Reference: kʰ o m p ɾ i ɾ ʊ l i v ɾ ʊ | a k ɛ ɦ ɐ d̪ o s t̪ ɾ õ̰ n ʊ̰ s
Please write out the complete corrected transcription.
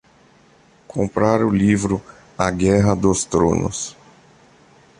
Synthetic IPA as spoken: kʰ õ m p ɾ a ɾ ʊ l i v ɾ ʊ | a ɡ ɛ ɦ ɐ d̪ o s t̪ ɾ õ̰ n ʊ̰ s